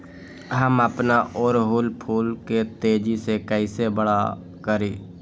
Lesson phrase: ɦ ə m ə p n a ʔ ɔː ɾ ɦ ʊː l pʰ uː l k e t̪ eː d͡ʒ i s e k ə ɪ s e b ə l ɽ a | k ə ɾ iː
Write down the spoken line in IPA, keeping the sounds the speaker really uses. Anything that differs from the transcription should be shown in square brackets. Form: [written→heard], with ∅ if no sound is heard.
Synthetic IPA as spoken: ɦ ə m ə p n a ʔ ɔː ɾ ɦ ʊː l pʰ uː l k e t̪ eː d͡ʒ i s e k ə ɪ s e b ə [l→∅] ɽ a | k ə ɾ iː